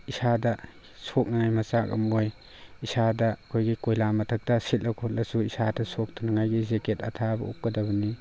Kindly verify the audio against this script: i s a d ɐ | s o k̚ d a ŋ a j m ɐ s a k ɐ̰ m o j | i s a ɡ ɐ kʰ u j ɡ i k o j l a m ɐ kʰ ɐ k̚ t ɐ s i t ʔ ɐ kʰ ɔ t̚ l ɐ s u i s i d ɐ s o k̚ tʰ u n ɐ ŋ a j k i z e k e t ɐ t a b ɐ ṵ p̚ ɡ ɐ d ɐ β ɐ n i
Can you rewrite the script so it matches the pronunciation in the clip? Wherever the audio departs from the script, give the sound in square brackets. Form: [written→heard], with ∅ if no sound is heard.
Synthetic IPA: i s a d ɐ | s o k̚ [d→n] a ŋ a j m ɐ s a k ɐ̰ m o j | i s a [ɡ→d] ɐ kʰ [u→o] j ɡ i k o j l a m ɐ [kʰ→tʰ] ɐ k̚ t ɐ s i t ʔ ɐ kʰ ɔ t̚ l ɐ s u i s [i→a] d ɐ s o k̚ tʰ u n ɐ ŋ a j [k→ɡ] i z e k e t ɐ [t→tʰ] a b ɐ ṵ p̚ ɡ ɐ d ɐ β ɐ n i